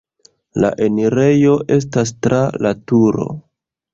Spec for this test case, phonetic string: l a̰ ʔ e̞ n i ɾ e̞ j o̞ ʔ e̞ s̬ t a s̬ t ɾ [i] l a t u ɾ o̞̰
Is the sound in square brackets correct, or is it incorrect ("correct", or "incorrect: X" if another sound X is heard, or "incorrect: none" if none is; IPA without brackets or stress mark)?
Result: incorrect: a